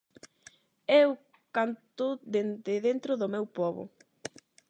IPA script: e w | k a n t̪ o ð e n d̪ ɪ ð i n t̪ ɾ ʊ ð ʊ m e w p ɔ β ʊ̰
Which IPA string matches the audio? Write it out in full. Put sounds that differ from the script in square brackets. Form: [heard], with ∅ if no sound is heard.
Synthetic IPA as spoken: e w | k a n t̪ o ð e n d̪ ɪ ð [e] n t̪ ɾ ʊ ð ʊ m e w p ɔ β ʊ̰